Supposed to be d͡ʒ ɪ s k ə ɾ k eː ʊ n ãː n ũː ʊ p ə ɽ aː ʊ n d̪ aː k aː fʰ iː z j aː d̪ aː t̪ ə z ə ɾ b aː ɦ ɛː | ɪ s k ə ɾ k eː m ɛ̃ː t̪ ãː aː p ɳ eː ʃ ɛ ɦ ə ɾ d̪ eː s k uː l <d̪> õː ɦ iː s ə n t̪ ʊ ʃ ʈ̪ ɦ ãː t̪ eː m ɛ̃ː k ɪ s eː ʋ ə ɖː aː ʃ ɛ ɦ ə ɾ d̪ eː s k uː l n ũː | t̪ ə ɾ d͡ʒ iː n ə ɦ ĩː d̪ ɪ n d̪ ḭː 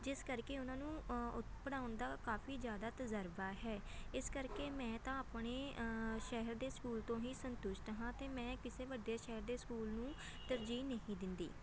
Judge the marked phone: incorrect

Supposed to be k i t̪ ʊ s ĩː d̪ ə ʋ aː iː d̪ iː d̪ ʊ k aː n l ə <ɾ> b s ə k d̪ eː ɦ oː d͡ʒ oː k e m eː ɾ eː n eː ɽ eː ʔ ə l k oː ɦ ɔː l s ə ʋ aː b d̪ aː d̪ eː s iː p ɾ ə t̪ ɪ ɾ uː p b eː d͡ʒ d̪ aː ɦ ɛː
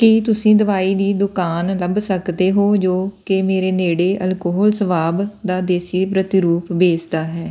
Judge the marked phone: incorrect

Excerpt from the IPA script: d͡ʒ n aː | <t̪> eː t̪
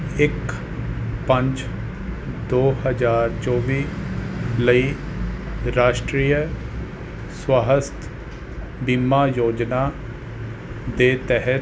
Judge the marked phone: incorrect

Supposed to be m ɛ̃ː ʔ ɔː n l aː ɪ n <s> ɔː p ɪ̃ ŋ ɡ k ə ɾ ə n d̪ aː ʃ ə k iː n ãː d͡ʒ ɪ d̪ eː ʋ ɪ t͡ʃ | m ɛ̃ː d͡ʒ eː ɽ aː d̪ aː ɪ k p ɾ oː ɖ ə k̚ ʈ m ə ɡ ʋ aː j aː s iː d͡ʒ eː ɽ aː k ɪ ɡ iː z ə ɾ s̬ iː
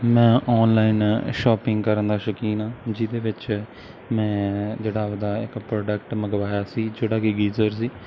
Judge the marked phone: incorrect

